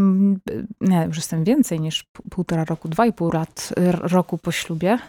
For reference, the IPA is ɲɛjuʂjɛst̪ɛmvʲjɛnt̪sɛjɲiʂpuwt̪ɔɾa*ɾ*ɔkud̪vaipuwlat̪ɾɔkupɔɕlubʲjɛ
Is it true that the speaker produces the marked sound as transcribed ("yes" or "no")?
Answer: yes